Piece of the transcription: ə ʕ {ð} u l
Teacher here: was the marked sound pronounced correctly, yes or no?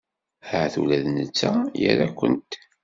no